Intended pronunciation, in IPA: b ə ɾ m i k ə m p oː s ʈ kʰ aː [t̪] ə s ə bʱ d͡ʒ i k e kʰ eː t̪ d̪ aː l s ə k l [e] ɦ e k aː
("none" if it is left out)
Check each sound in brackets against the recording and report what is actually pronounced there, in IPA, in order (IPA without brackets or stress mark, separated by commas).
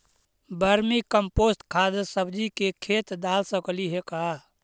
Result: d̪, i